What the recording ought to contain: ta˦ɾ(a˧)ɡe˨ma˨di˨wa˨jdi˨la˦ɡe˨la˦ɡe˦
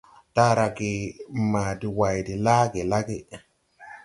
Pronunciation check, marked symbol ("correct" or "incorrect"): correct